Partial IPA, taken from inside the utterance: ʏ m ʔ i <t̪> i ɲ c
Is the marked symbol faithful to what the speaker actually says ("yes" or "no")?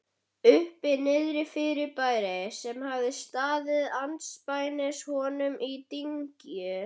yes